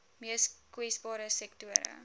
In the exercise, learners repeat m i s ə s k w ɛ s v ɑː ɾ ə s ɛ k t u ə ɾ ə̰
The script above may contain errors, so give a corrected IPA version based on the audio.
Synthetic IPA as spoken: m i ə s k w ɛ s b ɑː ɾ ə s ɛ k t u ə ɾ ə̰